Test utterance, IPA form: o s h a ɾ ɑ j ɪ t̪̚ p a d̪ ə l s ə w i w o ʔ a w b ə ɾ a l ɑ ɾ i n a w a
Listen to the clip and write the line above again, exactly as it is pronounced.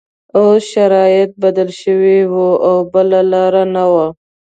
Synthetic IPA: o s ʃ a ɾ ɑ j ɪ t̪̚ b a d̪ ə l ʃ ə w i w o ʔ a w b ə l a l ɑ ɾ a n a w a